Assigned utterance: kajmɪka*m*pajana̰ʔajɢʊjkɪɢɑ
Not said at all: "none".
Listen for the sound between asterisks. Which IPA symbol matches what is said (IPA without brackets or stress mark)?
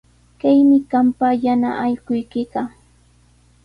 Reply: m